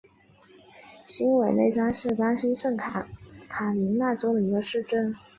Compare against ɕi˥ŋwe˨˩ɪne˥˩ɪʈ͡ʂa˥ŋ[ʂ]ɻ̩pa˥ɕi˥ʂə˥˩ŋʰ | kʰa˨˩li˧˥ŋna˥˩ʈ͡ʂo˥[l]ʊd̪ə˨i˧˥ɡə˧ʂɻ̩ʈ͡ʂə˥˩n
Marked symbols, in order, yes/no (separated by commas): yes, no